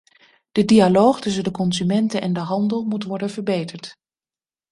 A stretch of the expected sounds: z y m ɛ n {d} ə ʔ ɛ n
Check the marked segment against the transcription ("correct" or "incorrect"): incorrect